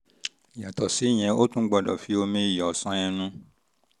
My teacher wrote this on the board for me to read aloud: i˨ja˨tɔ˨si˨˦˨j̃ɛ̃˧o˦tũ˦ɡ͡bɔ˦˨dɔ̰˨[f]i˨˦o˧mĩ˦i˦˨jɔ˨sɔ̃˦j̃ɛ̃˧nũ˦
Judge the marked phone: correct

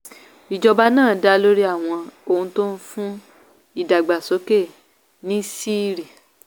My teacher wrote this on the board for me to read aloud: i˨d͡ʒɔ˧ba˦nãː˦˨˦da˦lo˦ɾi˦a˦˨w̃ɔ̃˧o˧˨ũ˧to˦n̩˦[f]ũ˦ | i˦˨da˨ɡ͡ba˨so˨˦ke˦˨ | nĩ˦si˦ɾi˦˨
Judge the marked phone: correct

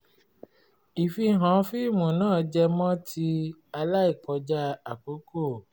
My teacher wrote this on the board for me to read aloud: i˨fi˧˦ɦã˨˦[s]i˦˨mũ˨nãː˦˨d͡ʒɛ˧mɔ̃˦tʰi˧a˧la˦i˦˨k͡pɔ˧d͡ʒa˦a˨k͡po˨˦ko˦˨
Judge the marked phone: incorrect: f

